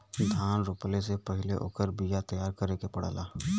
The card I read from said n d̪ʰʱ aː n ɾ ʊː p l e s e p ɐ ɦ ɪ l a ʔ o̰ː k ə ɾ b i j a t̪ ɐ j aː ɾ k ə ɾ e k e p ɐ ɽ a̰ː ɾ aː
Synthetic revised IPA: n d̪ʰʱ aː n ɾ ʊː p l e s e p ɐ ɦ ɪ l e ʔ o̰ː k ə ɾ b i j a t̪ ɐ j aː ɾ k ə ɾ e k e p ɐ ɽ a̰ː l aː

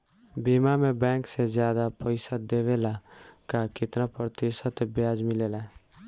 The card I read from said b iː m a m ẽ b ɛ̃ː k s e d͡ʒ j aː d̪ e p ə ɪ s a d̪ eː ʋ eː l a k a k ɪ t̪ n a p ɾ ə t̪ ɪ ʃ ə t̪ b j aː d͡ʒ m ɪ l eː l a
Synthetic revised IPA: b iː m a m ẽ b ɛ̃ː k s e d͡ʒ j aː d̪ a p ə ɪ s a d̪ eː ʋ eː l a k a k ɪ t̪ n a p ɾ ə t̪ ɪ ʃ ə t̪ b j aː d͡ʒ m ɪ l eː l a

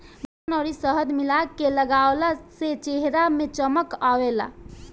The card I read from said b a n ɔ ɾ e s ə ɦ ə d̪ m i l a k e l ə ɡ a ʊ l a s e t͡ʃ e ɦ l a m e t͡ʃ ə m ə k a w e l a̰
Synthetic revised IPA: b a n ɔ ɾ i s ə ɦ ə d̪ m i l a k e l ə ɡ a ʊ l a s e t͡ʃ e ɦ ɾ a m e t͡ʃ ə m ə k a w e l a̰

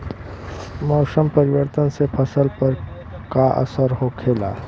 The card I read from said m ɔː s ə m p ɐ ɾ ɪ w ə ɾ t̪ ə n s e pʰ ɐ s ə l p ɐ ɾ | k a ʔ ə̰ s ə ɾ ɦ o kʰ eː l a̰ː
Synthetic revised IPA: m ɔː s ə m p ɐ ɾ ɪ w ə ɾ t̪ ə n s e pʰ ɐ s ə l p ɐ ɾ | k a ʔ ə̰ s ə ɾ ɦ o kʰ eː l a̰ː

